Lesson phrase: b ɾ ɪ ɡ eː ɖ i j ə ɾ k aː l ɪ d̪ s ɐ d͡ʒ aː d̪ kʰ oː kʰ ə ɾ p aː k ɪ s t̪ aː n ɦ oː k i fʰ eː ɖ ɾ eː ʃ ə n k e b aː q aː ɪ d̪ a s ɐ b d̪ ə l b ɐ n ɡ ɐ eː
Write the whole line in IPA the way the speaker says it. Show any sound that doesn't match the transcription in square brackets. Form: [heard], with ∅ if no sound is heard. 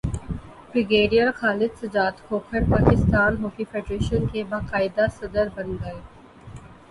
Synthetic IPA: b ɾ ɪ ɡ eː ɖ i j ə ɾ [x] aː l ɪ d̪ s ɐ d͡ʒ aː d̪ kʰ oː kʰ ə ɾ p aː k ɪ s t̪ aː n ɦ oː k i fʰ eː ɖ ɾ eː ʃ ə n k e b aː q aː ɪ d̪ a s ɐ [∅] d̪ ə [ɾ] b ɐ n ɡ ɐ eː